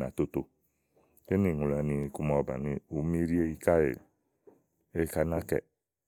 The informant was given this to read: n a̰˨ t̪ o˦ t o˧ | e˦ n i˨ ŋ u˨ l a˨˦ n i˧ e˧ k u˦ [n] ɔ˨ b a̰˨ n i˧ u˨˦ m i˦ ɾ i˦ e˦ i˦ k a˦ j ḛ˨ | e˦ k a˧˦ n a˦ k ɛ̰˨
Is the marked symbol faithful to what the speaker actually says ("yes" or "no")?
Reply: no